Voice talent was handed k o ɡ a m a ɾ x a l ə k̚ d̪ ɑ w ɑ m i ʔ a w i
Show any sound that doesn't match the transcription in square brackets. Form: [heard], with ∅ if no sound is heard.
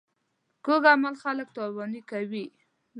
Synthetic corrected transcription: k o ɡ a m a [l] x a l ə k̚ [t̪] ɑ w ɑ [n] i [k] a w i